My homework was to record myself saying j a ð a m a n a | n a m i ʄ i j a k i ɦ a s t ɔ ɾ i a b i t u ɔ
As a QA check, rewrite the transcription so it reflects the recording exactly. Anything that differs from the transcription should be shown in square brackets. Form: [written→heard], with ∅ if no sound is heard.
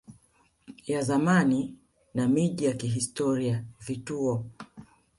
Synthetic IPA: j a [ð→z] a m a n [a→i] | n a m i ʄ i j a k i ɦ [a→i] s t ɔ ɾ i a [b→v] i t u ɔ